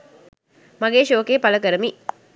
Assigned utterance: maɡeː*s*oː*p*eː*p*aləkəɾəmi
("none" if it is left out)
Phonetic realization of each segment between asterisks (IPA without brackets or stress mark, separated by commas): ʃ, k, p